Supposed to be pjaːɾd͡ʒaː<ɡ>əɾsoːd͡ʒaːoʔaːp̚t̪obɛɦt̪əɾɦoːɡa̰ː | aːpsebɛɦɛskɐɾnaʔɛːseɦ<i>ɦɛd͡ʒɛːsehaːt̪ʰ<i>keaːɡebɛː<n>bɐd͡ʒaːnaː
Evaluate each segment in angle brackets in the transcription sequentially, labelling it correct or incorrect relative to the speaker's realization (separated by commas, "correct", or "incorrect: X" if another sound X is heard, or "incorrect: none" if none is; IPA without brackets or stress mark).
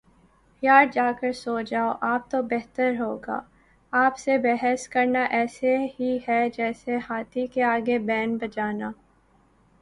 incorrect: k, correct, correct, correct